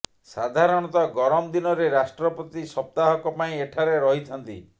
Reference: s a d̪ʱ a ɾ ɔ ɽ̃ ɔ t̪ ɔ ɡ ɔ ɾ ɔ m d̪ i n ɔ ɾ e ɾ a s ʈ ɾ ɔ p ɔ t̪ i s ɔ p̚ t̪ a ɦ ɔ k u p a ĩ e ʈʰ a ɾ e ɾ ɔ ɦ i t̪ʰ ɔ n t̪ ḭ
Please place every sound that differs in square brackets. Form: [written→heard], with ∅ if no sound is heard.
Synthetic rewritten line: s a d̪ʱ a ɾ ɔ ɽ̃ ɔ t̪ ɔ ɡ ɔ ɾ ɔ m d̪ i n ɔ ɾ e ɾ a s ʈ ɾ ɔ p ɔ t̪ i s ɔ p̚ t̪ a ɦ ɔ k [u→ɔ] p a ĩ e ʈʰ a ɾ e ɾ ɔ ɦ i t̪ʰ ɔ n t̪ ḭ